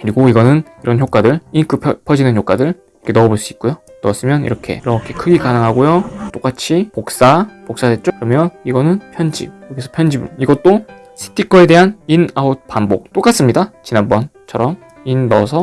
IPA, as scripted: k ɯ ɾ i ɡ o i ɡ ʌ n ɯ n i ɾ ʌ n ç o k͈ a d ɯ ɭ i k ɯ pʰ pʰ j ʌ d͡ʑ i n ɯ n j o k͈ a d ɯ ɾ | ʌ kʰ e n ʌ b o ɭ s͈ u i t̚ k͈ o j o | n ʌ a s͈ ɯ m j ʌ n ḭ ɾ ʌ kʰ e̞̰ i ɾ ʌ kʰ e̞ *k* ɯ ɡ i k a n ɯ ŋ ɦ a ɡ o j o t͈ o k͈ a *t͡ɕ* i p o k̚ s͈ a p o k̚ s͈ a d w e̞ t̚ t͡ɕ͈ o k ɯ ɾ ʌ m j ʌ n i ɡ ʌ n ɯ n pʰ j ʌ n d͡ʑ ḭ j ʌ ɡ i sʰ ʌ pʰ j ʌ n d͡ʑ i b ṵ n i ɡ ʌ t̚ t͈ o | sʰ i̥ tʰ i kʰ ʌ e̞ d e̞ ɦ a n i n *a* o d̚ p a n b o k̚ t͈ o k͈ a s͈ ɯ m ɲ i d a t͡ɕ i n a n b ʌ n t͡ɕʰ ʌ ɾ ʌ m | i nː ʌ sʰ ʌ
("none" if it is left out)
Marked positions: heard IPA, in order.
kʰ, t͡ɕʰ, a

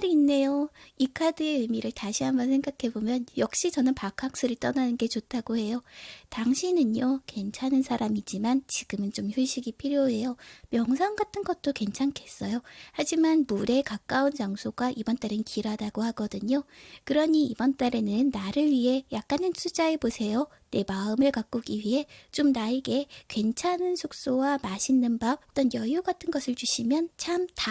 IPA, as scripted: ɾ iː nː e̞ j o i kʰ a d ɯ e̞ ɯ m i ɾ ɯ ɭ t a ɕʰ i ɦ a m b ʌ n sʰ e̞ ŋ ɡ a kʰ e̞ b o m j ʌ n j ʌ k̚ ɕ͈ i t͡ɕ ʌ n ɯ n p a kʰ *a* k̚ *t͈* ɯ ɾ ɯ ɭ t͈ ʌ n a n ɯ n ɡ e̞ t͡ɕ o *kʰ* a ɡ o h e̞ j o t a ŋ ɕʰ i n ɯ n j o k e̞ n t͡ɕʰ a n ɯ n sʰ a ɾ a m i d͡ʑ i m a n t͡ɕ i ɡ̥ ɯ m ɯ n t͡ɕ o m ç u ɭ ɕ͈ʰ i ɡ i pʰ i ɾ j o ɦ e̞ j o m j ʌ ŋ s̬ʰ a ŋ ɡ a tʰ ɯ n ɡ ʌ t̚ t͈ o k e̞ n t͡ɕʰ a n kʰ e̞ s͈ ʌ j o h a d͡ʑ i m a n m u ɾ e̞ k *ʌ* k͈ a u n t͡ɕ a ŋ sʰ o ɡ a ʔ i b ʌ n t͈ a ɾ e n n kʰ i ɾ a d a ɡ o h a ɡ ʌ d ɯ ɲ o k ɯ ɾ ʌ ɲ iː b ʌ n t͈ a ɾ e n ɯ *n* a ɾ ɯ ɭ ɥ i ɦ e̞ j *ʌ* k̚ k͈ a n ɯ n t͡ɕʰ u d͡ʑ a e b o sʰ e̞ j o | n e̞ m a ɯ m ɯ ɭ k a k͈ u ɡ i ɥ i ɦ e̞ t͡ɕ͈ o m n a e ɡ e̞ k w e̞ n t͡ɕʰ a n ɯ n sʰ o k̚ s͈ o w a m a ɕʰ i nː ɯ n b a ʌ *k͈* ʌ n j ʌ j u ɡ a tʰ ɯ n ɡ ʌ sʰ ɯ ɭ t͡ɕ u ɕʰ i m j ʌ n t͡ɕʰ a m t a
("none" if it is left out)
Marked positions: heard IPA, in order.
a, s͈, tʰ, a, nː, a, t͈

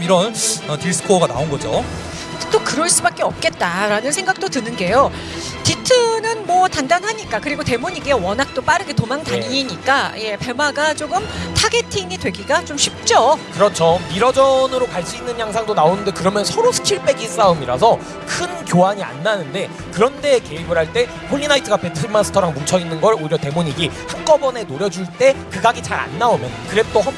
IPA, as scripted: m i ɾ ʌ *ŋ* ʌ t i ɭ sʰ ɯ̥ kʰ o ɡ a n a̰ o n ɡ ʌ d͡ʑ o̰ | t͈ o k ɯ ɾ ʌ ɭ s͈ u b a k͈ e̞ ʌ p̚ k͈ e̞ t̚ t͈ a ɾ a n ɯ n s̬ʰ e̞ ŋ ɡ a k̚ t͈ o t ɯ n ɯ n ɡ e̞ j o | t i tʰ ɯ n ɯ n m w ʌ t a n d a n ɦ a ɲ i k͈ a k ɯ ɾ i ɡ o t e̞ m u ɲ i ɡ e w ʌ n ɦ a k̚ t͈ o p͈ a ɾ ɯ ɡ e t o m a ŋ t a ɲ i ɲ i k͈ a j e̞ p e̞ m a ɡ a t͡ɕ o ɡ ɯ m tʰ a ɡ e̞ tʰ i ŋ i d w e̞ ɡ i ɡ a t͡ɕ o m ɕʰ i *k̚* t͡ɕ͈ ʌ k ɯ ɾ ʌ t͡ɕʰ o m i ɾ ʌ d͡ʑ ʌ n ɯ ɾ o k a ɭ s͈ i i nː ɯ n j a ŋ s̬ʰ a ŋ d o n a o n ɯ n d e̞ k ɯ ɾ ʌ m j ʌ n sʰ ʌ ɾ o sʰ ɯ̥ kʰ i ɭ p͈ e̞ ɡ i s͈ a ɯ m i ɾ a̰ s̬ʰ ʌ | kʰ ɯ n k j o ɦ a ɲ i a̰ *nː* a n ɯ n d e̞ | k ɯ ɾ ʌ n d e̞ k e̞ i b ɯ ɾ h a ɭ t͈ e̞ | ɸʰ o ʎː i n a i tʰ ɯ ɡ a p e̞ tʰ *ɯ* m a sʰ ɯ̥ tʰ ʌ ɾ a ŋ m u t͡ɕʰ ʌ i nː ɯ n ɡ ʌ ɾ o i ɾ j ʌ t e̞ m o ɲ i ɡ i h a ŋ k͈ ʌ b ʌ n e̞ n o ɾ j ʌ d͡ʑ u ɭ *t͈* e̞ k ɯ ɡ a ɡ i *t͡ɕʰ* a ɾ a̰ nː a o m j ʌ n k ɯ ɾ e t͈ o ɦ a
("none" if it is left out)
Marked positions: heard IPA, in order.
n, p̚, nː, ɯ, t͈, t͡ɕ

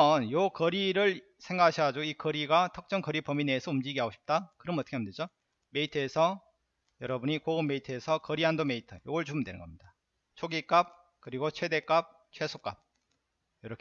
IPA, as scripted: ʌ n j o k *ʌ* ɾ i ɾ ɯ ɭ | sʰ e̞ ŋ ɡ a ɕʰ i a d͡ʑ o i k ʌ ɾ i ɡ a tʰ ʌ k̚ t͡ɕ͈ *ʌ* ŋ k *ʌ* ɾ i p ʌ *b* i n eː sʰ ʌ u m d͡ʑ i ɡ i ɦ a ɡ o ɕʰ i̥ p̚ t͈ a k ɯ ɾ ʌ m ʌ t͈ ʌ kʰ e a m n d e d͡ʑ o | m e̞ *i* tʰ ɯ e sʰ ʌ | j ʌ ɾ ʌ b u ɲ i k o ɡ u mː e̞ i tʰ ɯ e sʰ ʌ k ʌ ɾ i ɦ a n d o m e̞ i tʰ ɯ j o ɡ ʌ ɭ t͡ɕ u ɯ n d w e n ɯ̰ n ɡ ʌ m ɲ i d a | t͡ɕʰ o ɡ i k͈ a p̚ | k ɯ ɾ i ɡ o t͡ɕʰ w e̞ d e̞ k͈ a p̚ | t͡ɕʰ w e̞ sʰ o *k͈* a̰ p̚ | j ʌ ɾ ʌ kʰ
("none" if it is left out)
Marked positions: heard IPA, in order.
ʌ, ʌ, ʌ, m, i, k͈

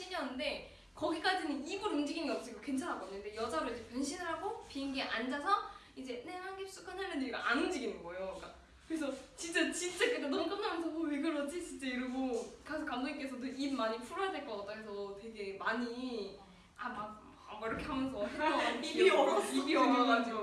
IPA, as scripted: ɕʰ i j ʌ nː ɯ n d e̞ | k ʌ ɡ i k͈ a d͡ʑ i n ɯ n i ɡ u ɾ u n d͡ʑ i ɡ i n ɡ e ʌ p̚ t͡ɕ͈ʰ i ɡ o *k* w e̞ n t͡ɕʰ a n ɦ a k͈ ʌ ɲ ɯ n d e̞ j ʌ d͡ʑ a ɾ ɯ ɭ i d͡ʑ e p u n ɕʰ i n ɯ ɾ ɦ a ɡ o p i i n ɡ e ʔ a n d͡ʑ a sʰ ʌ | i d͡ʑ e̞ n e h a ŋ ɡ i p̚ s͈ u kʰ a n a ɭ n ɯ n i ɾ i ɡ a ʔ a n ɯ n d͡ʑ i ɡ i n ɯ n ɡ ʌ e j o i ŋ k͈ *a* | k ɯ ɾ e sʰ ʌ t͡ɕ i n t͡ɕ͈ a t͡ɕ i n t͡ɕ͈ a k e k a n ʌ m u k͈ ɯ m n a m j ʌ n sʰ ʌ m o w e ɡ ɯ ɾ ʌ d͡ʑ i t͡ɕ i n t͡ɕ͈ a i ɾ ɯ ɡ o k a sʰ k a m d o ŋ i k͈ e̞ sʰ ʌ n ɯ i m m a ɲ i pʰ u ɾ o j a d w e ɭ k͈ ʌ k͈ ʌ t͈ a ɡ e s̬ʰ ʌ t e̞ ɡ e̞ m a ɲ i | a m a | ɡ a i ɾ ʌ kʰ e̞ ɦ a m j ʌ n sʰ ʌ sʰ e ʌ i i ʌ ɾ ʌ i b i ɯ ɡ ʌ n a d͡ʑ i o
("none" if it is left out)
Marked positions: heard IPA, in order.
k, a

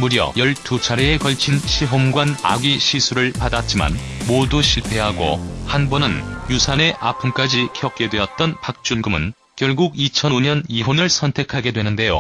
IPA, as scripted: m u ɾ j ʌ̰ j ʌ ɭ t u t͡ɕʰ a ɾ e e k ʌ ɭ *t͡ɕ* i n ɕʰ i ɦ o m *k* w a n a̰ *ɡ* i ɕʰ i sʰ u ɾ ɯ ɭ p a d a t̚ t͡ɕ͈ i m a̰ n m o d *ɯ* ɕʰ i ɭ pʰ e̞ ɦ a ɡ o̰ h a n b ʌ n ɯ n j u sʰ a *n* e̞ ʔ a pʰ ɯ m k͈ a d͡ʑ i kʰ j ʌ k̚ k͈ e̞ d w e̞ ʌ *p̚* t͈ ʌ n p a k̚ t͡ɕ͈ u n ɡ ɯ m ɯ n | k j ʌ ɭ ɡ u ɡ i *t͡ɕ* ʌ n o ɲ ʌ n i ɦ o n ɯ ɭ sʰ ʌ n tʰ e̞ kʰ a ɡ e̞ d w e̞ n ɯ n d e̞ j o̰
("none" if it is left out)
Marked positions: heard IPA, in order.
t͡ɕʰ, ɡ, ɡ, u, n, t̚, t͡ɕʰ

